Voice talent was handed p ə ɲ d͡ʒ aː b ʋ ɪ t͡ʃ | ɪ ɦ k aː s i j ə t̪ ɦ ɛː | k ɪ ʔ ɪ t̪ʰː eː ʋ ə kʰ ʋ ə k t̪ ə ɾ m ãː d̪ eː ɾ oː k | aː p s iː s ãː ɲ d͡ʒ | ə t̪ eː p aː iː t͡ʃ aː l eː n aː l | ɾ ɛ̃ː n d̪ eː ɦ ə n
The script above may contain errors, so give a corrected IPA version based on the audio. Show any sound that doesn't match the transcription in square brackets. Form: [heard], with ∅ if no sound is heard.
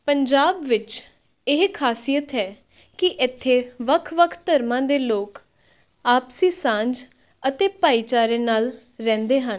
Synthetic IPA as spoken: p ə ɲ d͡ʒ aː b ʋ ɪ t͡ʃ | ɪ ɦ [kʰ] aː s i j ə t̪ ɦ ɛː | k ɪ ʔ ɪ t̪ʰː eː ʋ ə kʰ ʋ ə [kʰ] t̪ ə ɾ m ãː d̪ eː [l] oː k | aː p s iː s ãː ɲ d͡ʒ | ə t̪ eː p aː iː t͡ʃ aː [ɾ] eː n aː l | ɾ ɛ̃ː n d̪ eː ɦ ə n